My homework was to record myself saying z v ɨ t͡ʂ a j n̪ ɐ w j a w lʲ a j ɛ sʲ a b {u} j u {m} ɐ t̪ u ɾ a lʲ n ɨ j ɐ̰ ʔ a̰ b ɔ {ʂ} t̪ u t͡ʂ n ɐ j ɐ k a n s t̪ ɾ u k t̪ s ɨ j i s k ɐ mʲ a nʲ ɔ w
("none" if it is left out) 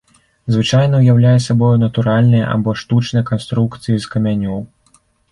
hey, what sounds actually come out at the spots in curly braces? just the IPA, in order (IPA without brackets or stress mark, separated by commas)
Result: ɔ, n, ʂ